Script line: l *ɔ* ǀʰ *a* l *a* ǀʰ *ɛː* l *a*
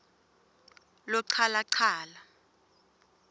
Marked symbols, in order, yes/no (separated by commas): yes, yes, yes, no, yes